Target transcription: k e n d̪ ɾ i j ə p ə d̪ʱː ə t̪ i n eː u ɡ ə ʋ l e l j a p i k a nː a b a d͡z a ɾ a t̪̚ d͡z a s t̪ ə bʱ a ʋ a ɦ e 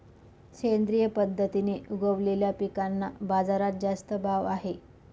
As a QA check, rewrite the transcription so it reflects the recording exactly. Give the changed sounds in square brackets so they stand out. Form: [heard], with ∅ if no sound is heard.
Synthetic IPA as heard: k e n d̪ ɾ i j ə p ə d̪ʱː ə t̪ i n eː u ɡ ə ʋ l e l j a p i k a nː a b a d͡z a ɾ a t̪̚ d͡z a s t̪ ə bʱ a ʋ a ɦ e